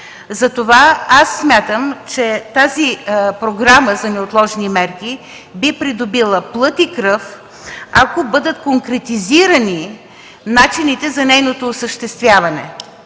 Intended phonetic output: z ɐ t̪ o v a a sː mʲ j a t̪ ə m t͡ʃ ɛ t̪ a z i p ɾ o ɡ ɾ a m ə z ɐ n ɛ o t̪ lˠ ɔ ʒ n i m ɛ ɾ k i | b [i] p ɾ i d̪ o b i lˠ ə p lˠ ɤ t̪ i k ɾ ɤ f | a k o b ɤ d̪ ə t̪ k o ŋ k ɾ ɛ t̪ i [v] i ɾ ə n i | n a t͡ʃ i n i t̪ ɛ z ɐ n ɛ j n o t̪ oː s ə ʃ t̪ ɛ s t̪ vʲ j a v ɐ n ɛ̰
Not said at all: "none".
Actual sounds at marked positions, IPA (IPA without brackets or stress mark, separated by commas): i, z